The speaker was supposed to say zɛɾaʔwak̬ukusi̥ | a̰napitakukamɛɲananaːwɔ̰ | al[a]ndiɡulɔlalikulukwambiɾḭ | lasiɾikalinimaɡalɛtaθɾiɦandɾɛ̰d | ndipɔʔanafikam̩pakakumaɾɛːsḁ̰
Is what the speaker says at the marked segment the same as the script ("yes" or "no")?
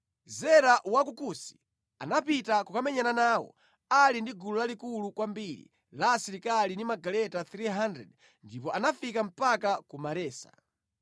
no